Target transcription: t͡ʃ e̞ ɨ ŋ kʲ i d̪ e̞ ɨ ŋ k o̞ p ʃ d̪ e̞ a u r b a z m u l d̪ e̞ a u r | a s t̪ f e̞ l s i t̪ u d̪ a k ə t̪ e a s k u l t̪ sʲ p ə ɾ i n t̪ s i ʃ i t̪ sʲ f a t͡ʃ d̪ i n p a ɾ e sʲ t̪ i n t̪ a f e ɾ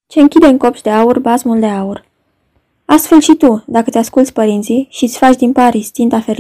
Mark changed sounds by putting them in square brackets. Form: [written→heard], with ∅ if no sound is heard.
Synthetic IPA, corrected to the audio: t͡ʃ e̞ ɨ ŋ kʲ i d̪ e̞ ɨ ŋ k o̞ p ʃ d̪ e̞ a u r b a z m u l d̪ e̞ a u r | a s t̪ f e̞ l [s→ʃ] i t̪ u d̪ a k ə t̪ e a s k u l t̪ sʲ p ə ɾ i n t̪ s i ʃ i t̪ sʲ f a t͡ʃ d̪ i n p a ɾ [e→i] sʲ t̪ i n t̪ a f e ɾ